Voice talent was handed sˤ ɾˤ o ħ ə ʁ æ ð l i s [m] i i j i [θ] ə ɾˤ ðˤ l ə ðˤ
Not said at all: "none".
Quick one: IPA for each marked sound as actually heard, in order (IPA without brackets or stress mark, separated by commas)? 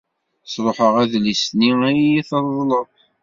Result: n, θ